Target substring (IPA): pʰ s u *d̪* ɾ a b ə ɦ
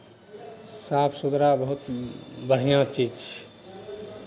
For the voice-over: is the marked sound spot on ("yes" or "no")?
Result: yes